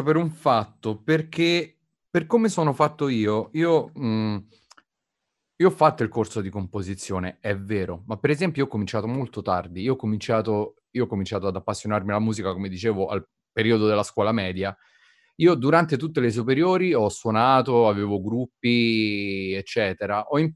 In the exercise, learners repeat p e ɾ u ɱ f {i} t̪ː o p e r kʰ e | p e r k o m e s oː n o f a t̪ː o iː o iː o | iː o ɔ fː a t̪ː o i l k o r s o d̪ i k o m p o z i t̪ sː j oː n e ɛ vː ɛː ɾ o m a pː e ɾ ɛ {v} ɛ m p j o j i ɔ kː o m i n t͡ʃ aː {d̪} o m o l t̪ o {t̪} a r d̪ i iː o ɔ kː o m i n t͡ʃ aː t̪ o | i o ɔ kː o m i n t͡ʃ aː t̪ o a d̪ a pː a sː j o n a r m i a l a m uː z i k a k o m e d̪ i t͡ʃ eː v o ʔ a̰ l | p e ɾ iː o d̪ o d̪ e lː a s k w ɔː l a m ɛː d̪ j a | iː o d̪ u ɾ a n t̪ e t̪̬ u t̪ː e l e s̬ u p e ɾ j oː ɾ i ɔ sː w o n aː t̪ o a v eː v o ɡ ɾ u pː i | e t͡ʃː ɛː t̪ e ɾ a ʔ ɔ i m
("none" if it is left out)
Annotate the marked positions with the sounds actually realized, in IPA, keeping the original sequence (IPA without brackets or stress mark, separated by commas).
a, z, t̪, t̪